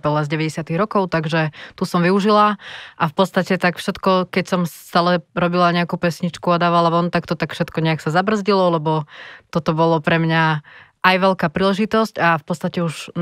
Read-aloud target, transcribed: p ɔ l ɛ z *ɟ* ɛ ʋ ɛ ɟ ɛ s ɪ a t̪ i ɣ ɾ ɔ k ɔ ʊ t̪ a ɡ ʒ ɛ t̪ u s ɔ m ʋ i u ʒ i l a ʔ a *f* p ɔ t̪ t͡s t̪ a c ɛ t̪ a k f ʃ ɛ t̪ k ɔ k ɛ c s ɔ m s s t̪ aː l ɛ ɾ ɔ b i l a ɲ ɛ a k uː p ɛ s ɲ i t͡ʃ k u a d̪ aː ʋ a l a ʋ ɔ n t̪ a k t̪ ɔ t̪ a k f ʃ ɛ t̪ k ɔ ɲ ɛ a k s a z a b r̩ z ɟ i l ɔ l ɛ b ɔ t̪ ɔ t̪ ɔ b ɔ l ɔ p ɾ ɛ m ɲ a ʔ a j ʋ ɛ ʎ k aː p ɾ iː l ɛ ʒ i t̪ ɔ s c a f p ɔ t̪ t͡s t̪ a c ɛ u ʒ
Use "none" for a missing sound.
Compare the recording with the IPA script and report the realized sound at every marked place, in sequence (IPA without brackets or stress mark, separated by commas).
ɟ, f